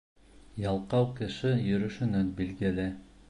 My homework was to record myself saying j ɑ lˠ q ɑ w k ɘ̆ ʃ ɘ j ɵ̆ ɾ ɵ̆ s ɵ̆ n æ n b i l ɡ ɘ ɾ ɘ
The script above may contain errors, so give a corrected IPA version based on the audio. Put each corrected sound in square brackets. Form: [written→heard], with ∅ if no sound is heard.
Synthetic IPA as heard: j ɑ lˠ q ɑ w k ɘ̆ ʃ ɘ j ɵ̆ ɾ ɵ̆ [s→ʃ] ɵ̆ n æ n b i l ɡ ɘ [ɾ→l] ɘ